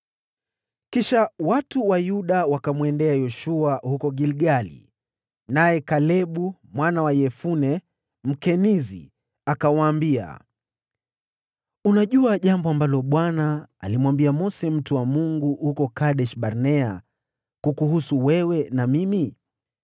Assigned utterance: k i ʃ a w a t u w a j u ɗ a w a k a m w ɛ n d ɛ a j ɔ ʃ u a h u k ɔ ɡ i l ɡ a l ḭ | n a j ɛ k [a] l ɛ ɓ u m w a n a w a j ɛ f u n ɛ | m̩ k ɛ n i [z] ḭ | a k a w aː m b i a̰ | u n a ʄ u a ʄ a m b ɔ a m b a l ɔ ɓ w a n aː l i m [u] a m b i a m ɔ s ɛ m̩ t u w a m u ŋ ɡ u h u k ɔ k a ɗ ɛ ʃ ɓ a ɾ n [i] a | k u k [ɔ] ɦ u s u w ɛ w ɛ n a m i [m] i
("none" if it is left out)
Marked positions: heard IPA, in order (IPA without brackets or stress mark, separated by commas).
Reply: a, z, w, ɛ, u, m